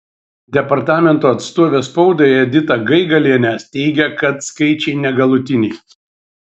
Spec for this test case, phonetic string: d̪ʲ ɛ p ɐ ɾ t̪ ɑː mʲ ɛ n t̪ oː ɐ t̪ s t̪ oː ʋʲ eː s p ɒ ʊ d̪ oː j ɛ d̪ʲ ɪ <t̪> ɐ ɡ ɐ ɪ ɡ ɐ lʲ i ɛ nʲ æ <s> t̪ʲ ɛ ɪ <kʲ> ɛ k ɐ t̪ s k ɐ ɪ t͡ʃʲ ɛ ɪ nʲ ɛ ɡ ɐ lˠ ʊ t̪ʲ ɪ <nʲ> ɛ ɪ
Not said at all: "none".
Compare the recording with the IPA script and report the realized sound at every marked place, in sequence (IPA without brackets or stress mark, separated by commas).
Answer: t̪, s, ɡʲ, nʲ